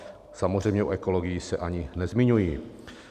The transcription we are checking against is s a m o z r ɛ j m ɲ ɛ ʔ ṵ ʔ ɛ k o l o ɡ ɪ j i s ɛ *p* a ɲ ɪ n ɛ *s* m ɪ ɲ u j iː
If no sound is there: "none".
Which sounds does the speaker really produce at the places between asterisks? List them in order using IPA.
ʔ, z

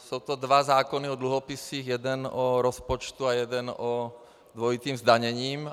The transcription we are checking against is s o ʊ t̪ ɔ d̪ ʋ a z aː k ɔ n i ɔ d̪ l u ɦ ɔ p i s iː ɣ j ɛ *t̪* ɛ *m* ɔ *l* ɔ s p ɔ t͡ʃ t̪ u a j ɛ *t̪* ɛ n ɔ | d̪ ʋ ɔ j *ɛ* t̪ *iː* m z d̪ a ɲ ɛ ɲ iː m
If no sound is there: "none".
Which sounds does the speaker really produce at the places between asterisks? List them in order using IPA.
d̪, n, ɾ, d̪, i, iː

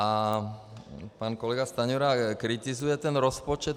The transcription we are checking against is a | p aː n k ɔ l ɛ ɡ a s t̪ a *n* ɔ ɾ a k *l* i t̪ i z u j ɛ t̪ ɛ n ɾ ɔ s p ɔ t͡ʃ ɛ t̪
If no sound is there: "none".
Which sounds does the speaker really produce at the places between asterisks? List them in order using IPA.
ɲ, ɾ

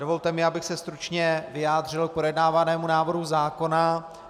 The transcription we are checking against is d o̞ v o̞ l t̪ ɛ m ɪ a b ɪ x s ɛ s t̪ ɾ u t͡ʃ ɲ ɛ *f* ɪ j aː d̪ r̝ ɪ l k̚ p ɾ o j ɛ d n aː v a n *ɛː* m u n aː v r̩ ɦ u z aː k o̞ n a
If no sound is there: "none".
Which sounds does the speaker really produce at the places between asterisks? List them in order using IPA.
v, ɛː

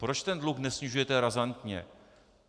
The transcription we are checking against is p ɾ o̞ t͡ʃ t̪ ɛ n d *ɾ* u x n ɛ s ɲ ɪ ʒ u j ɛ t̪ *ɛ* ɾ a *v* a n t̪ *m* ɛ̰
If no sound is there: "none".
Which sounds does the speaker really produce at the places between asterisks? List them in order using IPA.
l, ɛ, z, ɲ

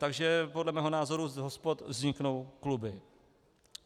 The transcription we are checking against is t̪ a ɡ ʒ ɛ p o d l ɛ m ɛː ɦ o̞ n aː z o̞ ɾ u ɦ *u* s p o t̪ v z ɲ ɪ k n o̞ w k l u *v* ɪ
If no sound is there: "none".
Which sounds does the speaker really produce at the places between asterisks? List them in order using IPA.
o, b

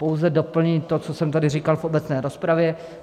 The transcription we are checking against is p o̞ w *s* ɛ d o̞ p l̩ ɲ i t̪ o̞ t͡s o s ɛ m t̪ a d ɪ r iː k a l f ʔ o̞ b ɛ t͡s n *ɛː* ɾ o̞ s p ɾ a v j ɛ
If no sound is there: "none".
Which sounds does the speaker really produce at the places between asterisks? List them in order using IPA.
z, ɛː

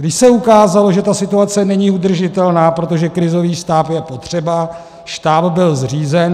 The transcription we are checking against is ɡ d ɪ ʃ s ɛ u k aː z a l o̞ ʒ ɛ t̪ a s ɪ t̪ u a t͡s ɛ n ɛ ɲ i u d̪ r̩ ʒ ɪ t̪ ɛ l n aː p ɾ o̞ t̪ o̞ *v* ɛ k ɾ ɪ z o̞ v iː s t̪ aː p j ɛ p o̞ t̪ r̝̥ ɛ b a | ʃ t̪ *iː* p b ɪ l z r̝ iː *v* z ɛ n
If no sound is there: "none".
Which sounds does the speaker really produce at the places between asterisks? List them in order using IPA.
ʒ, aː, none

